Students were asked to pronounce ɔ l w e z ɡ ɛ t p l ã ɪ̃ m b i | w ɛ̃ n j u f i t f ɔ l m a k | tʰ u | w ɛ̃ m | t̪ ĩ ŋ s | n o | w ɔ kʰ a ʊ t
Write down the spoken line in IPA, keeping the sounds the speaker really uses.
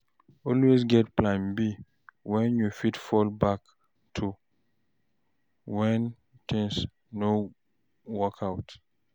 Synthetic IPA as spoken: ɔ l w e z ɡ ɛ t p l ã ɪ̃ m b i | w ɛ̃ n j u f i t f ɔ l b a k | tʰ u | w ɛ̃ n | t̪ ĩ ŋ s | n o | w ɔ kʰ a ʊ t